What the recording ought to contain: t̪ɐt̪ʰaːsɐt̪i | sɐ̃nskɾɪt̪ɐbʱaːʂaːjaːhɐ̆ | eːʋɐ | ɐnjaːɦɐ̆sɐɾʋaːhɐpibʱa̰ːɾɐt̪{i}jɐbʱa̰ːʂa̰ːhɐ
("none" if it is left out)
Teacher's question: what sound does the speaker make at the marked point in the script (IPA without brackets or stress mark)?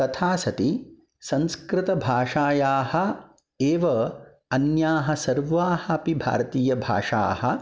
iː